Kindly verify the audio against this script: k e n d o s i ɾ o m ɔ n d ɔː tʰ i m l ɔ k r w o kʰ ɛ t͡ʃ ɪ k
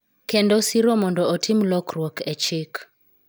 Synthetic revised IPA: k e n d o s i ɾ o m ɔ n d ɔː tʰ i m l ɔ k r w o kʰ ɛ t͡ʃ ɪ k